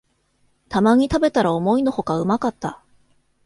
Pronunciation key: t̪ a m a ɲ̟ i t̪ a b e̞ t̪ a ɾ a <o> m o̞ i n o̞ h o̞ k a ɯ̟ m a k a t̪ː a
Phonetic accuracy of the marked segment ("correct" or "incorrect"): correct